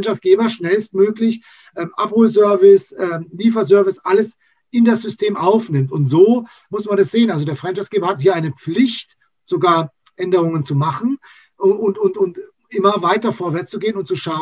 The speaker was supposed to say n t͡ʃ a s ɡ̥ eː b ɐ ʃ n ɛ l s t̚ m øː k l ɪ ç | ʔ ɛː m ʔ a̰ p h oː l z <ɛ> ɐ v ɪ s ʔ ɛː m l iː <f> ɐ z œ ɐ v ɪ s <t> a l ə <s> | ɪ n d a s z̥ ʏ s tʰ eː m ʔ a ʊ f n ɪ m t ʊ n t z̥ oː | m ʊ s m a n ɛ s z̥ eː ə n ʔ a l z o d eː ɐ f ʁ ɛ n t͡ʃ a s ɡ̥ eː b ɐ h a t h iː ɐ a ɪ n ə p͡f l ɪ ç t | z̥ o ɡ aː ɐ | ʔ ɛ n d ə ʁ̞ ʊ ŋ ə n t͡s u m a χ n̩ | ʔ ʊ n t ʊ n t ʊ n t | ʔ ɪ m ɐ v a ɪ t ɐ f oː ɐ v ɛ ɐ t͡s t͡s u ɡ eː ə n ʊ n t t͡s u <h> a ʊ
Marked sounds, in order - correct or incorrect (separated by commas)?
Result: incorrect, correct, incorrect, correct, incorrect